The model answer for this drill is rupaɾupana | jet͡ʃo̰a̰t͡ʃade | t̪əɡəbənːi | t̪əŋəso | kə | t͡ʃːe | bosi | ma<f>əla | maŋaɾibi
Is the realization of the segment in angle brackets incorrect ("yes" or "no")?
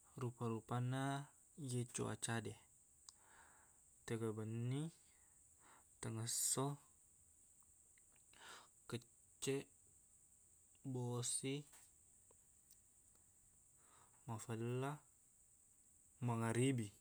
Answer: no